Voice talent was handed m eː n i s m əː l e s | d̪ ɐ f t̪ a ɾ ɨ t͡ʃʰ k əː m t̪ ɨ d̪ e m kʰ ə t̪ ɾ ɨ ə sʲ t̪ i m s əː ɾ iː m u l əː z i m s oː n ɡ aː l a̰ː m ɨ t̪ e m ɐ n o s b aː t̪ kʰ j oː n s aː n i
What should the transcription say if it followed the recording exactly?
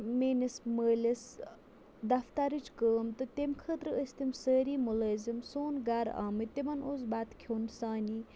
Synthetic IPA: m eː n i s m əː l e s | d̪ ɐ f t̪ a ɾ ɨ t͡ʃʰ k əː m t̪ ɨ t̪ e m kʰ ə t̪ ɾ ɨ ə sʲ t̪ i m s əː ɾ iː m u l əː z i m s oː n ɡ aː ɾ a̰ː m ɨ t̪ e m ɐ n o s b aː t̪ kʰ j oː n s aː n i

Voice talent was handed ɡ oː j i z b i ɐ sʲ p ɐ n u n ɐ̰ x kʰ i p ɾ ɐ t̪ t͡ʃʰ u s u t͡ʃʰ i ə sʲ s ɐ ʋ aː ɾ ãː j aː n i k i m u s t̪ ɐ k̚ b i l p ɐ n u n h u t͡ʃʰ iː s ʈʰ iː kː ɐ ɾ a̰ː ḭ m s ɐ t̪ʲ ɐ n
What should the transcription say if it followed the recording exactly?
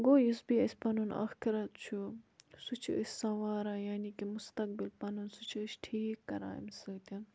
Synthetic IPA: ɡ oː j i s b i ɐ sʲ p ɐ n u n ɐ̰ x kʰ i ɾ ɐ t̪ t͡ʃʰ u s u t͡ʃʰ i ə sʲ s ɐ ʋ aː ɾ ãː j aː n i k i m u s t̪ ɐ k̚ b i l p ɐ n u n s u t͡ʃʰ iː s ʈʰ iː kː ɐ ɾ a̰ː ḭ m s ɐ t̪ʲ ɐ n

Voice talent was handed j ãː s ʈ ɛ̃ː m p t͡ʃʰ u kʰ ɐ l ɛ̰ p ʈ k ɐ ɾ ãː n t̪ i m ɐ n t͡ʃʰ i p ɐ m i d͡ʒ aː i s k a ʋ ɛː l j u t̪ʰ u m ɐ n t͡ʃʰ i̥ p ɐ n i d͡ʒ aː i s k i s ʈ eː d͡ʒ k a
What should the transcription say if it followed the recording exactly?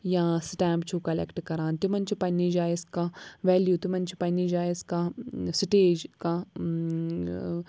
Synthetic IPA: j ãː s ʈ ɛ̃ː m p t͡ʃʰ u k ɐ l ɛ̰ k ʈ k ɐ ɾ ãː n t̪ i m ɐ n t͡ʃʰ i p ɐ n i d͡ʒ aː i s k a ʋ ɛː l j u t̪ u m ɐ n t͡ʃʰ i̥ p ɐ n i d͡ʒ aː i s k a s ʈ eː d͡ʒ k a

